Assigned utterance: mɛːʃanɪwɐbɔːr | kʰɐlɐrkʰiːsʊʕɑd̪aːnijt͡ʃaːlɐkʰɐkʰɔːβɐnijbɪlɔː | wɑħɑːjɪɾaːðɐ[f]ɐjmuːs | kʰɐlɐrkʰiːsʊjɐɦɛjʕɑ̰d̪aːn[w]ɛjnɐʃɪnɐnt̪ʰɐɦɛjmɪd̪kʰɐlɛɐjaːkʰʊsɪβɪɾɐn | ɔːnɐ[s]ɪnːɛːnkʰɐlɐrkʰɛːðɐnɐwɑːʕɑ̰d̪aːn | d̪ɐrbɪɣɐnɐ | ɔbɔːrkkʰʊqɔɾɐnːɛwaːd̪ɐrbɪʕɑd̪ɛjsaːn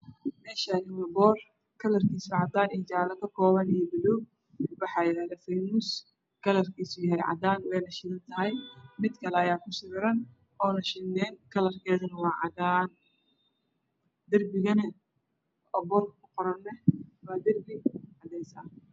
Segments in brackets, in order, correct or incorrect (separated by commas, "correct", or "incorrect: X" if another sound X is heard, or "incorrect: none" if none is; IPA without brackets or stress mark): correct, correct, incorrect: ʃ